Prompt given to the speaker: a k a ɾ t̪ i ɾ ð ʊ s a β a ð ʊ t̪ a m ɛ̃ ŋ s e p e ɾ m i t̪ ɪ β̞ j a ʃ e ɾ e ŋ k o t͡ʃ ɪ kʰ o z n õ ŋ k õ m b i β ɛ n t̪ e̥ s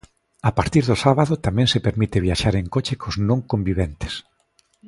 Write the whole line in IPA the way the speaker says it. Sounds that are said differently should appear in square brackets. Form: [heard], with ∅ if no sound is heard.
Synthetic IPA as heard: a [p] a ɾ t̪ i ɾ ð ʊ s a β a ð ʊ t̪ a m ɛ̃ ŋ s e p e ɾ m i t̪ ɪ β̞ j a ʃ [a] ɾ e ŋ k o t͡ʃ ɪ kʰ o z n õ ŋ k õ m b i β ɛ n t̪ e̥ s

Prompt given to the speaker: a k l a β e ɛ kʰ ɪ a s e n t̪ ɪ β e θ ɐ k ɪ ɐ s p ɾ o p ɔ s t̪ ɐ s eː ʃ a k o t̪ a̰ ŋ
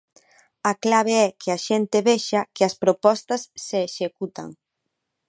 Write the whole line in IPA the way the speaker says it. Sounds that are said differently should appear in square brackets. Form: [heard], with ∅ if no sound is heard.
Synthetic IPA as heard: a k l a β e ɛ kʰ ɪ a [ʃ] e n t̪ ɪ β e [ʃ] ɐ k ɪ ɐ s p ɾ o p ɔ s t̪ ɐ [sː] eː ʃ [e] k [u] t̪ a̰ ŋ

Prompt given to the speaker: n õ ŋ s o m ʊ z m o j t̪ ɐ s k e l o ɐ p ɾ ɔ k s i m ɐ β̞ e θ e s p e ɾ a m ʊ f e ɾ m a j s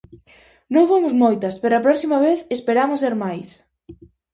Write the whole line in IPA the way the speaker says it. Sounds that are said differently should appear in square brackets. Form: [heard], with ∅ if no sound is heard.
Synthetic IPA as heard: n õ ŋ [f] o m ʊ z m o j t̪ ɐ s [p] e [ɾ] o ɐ p ɾ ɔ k s i m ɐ β̞ e θ e s p e ɾ a m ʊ [s] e ɾ m a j s

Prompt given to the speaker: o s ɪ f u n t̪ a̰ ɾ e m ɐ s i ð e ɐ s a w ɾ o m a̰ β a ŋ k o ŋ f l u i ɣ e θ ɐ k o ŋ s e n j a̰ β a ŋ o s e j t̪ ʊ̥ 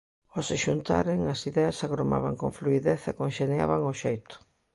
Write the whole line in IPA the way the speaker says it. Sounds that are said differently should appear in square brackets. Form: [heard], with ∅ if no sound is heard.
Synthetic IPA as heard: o s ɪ [ʃ] u n t̪ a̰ ɾ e [ŋ] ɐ s i ð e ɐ s a [ɣ] ɾ o m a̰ β a ŋ k o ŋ f l u i [ð] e θ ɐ k o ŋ [ʃ] e n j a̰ β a ŋ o [ʃ] e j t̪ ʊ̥

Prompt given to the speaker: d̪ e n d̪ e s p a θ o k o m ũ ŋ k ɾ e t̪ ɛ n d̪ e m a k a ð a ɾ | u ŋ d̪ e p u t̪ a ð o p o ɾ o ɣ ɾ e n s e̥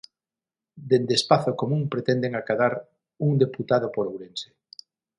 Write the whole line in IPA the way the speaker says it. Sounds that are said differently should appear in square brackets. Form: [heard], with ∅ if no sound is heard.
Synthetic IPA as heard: d̪ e n d̪ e s p a θ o k o m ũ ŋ [p] ɾ e t̪ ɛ n d̪ e [ŋ] a k a ð a ɾ | u ŋ d̪ e p u t̪ a ð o p o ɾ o [w] ɾ e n s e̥

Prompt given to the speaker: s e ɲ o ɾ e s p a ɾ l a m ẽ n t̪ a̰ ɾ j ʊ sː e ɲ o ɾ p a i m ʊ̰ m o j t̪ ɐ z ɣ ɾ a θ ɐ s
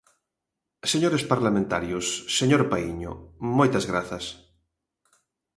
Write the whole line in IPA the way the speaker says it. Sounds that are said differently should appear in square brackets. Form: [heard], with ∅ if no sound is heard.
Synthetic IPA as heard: s e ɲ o ɾ e s p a ɾ l a m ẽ n t̪ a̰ ɾ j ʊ sː e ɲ o ɾ p a i [ɲ] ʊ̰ m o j t̪ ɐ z ɣ ɾ a θ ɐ s

